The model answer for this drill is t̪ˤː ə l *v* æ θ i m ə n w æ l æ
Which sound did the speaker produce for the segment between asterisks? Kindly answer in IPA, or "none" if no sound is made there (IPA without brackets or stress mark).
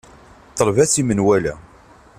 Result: v